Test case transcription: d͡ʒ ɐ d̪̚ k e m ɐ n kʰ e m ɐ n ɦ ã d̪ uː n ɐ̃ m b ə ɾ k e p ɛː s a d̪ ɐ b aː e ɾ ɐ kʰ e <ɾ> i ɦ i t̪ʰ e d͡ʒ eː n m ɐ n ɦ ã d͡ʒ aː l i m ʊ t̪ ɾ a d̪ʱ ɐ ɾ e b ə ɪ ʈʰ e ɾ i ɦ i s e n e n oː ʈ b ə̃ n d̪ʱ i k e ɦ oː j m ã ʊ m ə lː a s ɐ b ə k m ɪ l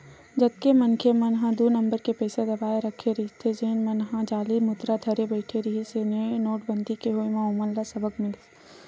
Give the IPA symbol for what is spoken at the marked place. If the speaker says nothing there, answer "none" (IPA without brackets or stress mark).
ɾ